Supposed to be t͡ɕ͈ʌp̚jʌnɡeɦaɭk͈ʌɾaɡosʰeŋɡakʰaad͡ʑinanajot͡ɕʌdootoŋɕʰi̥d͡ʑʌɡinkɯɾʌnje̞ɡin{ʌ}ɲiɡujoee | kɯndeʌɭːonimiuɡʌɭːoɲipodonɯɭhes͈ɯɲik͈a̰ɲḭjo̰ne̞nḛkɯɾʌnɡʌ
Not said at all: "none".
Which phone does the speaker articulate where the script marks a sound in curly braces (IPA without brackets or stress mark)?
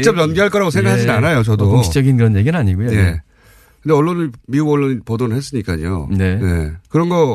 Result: a